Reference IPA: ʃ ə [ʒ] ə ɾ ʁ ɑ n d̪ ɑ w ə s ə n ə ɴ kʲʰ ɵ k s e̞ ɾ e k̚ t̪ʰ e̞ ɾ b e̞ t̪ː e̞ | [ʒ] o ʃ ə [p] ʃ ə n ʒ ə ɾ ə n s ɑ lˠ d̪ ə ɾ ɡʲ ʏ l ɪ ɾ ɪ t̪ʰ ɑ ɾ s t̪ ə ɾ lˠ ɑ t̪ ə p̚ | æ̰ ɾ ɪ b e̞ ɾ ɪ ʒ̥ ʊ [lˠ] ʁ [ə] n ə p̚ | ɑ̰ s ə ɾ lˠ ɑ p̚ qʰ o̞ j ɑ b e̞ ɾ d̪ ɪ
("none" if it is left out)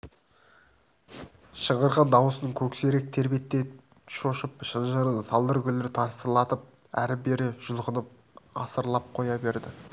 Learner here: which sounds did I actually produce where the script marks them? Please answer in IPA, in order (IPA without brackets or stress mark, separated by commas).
ʁ, ʃ, p, lˠ, ə